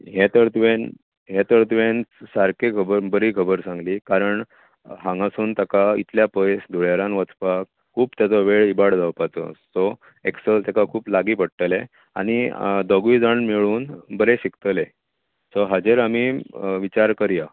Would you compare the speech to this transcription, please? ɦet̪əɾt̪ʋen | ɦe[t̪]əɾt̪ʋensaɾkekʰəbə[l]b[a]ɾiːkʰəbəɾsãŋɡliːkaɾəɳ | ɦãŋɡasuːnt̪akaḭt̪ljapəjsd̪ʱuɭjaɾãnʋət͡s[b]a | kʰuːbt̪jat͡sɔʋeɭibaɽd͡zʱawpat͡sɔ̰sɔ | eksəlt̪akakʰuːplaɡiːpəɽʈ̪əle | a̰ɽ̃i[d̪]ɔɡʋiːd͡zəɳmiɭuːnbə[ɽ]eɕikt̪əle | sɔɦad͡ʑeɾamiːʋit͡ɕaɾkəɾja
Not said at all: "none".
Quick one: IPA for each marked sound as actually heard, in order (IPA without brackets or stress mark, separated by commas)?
t̪, ɾ, ə, p, d̪, ɾ